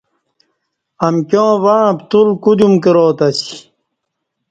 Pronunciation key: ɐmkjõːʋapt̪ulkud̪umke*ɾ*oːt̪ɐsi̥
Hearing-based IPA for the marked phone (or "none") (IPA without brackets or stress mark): ɾ